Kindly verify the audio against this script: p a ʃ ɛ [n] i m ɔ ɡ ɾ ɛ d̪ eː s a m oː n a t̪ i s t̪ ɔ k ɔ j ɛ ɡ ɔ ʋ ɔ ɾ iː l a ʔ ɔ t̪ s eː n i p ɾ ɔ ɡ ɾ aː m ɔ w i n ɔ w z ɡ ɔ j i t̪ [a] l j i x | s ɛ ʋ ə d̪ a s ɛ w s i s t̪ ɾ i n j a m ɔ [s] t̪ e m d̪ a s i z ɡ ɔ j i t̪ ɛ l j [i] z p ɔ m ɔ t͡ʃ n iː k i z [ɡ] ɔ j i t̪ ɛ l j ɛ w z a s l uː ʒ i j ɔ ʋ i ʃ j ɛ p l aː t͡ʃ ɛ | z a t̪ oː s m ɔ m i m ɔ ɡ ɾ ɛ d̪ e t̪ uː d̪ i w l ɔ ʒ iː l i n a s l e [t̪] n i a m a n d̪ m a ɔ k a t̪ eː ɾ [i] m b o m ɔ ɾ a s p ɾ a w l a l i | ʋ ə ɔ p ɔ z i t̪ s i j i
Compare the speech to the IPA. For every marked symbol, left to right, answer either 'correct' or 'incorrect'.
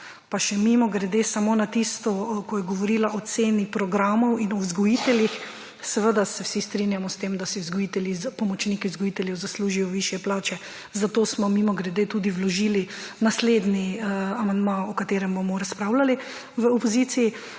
incorrect, incorrect, correct, correct, correct, incorrect, incorrect

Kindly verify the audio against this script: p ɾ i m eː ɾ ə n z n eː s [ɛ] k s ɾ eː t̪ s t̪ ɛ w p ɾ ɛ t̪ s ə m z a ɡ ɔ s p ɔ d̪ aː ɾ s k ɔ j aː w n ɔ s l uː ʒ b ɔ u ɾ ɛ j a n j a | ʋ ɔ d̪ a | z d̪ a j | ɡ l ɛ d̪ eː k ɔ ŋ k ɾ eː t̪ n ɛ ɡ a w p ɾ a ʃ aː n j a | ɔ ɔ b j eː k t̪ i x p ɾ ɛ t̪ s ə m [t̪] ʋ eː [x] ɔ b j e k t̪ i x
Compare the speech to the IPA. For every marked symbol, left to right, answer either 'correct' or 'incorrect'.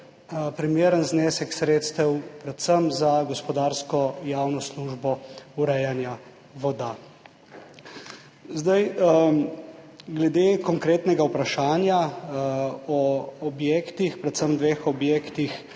correct, incorrect, correct

